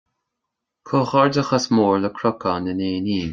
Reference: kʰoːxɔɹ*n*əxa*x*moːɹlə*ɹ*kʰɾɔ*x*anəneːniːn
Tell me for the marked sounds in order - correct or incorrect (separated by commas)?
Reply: incorrect, incorrect, incorrect, incorrect